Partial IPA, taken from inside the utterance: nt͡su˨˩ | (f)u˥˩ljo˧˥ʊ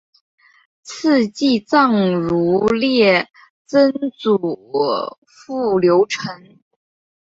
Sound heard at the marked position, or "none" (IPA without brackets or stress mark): f